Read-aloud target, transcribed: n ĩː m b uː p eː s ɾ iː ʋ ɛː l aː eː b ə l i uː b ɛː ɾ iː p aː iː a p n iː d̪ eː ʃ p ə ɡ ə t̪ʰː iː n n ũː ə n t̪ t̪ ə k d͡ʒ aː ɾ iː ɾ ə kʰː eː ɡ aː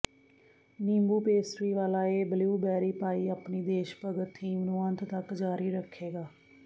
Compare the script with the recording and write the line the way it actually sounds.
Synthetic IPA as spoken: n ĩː m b uː p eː s ɾ iː ʋ aː l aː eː b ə l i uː b ɛː ɾ iː p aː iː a p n iː d̪ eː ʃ p ə ɡ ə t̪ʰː iː m n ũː ə n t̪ t̪ ə k d͡ʒ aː ɾ iː ɾ ə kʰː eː ɡ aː

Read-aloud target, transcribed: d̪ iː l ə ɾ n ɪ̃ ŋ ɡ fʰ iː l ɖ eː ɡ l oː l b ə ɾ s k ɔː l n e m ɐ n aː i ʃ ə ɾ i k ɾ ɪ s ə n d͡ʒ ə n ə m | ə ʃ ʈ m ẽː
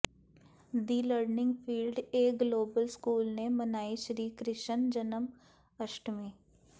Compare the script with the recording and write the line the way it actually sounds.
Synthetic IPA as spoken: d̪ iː l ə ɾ n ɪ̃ ŋ ɡ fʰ iː l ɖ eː ɡ l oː b ə l s k uː l n e m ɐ n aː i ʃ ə ɾ iː k ɾ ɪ ʃ ə n d͡ʒ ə n ə m | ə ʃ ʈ m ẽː

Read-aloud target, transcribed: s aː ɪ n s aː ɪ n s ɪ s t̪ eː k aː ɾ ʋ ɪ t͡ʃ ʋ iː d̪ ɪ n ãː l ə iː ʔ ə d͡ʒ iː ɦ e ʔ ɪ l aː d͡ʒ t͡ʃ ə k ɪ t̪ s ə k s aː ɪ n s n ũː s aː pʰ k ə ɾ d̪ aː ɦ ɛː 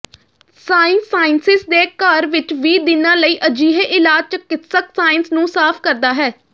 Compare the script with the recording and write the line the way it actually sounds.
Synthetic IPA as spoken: s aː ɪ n s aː ɪ n s ɪ s d̪ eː k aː ɾ ʋ ɪ t͡ʃ ʋ iː d̪ ɪ n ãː l ə iː ʔ ə d͡ʒ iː ɦ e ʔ ɪ l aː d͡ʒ t͡ʃ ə k ɪ t̪ s ə k s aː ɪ n s n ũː s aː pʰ k ə ɾ d̪ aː ɦ ɛː

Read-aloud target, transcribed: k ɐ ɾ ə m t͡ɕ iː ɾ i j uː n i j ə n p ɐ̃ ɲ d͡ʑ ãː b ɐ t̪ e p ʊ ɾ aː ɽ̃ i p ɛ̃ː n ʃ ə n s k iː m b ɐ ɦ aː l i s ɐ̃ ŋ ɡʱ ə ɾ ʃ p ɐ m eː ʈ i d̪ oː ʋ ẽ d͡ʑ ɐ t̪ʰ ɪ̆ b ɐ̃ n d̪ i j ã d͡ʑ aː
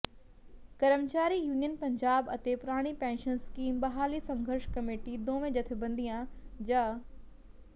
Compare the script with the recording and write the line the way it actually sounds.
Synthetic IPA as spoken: k ɐ ɾ ə m t͡ɕ aː ɾ i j uː n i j ə n p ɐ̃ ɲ d͡ʑ aː b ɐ t̪ e p ʊ ɾ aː ɽ̃ i p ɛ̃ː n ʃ ə n s k iː m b ɐ ɦ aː l i s ɐ̃ ŋ ɡʱ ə ɾ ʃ k ɐ m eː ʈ i d̪ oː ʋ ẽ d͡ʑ ɐ t̪ʰ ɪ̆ b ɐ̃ n d̪ i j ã d͡ʑ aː

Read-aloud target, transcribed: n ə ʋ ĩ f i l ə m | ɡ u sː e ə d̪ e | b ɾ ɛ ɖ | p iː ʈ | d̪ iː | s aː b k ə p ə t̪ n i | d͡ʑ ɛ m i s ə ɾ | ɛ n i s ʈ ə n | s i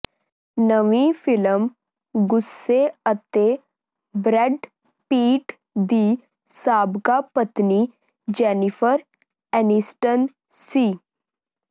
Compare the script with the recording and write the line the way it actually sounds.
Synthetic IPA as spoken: n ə ʋ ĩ f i l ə m | ɡ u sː e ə t̪ e | b ɾ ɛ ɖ | p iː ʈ | d̪ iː | s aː b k a p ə t̪ n i | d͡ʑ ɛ n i f ə ɾ | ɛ n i s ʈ ə n | s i

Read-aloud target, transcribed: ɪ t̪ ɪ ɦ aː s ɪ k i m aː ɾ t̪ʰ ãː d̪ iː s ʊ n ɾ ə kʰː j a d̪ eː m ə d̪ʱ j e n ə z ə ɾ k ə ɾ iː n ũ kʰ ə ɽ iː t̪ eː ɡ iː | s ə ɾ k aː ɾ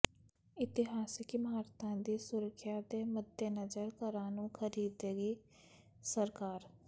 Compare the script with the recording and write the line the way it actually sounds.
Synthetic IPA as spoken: ɪ t̪ ɪ ɦ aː s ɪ k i m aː ɾ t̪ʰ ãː d̪ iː s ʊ ɾ ə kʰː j a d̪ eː m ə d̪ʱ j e n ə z ə ɾ k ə ɾ aː n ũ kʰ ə ɾ iː d̪ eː ɡ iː | s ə ɾ k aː ɾ

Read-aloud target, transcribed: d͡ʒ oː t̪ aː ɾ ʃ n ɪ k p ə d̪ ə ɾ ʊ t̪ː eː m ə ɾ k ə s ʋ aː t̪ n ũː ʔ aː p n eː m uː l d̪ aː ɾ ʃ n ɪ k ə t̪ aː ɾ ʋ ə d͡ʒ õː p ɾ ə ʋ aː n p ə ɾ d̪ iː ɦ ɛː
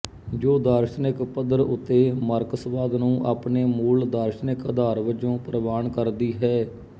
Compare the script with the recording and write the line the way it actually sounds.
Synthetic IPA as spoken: d͡ʒ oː d̪ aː ɾ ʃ n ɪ k p ə d̪ ə ɾ ʊ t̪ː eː m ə ɾ k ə s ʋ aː d̪ n ũː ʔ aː p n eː m uː l d̪ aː ɾ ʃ n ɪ k ə d̪ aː ɾ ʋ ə d͡ʒ õː p ɾ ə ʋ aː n k ə ɾ d̪ iː ɦ ɛː

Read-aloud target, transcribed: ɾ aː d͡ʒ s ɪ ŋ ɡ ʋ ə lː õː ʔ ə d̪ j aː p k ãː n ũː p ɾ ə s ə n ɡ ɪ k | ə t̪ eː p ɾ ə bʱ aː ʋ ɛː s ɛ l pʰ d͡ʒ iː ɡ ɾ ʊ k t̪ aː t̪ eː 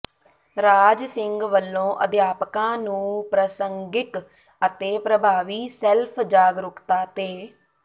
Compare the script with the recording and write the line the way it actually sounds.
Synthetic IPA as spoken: ɾ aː d͡ʒ s ɪ ŋ ɡ ʋ ə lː õː ʔ ə d̪ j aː p k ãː n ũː p ɾ ə s ə ŋ ɡ ɪ k | ə t̪ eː p ɾ ə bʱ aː ʋ iː s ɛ l pʰ d͡ʒ aː ɡ ɾ ʊ k t̪ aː t̪ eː

